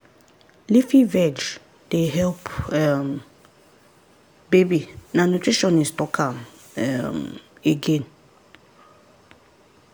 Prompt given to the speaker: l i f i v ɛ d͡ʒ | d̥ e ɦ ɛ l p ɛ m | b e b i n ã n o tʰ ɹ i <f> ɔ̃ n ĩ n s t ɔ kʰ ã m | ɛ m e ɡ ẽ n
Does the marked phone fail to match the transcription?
yes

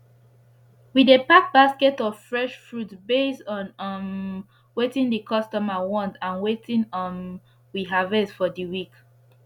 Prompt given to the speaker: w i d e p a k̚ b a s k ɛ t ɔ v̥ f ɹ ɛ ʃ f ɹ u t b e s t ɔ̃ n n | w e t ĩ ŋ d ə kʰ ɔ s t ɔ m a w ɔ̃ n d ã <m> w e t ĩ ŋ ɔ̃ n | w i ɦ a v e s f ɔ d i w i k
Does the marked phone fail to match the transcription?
yes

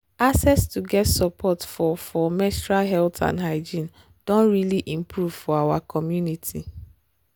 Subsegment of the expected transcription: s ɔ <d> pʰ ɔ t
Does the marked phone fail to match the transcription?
yes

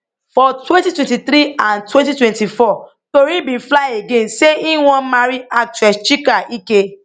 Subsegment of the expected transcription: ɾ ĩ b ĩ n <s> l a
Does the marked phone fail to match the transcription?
yes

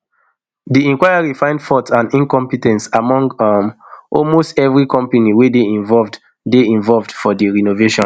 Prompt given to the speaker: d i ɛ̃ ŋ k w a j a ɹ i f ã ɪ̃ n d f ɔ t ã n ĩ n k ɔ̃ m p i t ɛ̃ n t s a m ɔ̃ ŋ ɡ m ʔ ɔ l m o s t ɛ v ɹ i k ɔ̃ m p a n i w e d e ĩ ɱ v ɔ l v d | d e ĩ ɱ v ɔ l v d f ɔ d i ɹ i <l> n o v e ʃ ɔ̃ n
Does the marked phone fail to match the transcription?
yes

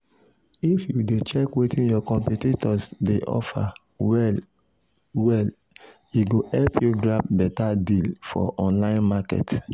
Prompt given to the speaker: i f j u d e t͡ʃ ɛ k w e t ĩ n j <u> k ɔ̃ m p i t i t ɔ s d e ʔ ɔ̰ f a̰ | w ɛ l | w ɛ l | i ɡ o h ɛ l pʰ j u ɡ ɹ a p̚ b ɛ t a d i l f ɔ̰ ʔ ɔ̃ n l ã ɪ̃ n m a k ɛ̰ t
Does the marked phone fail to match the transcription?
yes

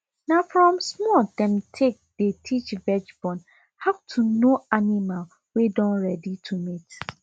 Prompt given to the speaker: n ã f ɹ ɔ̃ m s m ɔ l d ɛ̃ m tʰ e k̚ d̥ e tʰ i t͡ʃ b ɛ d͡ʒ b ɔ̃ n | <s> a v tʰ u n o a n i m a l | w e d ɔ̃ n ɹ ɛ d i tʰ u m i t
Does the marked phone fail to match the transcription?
yes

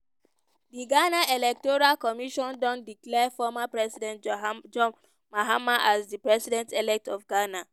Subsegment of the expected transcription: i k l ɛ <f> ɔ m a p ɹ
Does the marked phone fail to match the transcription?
no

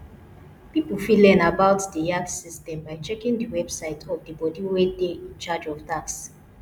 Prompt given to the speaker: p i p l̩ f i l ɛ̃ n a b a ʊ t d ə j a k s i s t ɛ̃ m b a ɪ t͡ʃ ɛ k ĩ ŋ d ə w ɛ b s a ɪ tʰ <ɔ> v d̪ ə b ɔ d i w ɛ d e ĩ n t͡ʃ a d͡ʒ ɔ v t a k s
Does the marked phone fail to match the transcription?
no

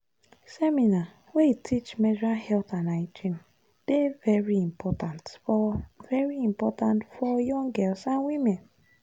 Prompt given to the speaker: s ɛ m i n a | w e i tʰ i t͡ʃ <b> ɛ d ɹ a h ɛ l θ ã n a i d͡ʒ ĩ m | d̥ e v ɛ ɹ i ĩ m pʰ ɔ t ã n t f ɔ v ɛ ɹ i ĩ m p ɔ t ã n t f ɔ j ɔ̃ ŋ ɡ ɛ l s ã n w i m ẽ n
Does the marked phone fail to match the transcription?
yes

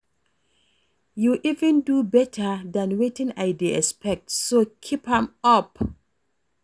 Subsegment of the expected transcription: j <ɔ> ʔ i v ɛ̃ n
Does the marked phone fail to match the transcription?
yes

